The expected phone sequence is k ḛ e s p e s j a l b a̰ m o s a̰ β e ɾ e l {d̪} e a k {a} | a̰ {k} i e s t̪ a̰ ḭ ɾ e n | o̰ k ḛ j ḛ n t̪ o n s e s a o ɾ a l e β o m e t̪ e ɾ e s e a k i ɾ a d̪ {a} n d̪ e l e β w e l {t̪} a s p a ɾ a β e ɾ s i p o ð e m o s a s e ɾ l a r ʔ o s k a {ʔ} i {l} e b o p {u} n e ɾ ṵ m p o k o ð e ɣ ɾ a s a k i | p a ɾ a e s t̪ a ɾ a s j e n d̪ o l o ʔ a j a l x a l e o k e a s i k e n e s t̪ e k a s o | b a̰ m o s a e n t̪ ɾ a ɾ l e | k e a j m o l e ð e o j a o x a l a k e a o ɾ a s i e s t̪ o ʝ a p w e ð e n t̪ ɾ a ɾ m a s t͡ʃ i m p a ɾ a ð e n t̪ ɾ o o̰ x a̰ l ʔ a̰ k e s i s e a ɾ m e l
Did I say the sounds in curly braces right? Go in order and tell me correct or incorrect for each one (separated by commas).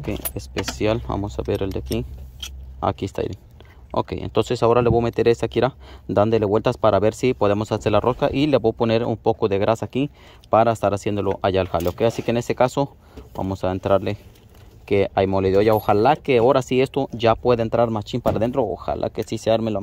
correct, incorrect, correct, correct, correct, correct, correct, incorrect